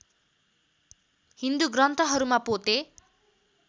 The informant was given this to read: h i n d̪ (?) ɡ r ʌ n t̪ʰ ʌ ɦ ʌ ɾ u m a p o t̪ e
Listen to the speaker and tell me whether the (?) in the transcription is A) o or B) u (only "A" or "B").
B